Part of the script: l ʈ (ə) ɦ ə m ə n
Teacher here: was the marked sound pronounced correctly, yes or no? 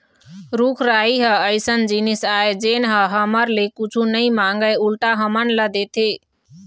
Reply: no